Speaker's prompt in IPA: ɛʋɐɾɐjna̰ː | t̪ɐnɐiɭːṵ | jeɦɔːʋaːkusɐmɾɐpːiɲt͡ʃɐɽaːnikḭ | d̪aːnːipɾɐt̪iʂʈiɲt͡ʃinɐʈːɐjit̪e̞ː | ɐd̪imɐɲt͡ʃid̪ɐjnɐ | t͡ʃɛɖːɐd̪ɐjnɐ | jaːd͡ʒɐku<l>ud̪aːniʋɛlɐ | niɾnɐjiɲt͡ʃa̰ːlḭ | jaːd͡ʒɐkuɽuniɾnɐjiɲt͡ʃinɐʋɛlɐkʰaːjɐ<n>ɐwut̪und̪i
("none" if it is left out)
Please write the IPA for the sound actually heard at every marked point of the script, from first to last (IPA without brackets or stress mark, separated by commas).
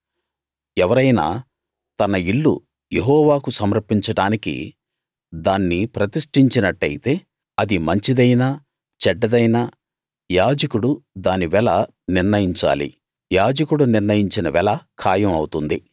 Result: ɽ, m